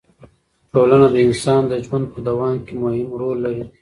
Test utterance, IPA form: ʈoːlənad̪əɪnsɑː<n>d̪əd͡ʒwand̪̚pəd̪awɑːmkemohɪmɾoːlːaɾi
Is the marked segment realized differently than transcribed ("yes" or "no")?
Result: no